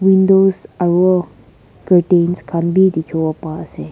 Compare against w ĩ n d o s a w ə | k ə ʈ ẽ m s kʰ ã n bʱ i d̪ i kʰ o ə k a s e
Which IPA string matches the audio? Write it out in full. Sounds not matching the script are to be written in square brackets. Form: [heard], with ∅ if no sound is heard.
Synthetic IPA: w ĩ n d o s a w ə | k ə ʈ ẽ [n] s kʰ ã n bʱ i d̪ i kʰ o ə [p] a s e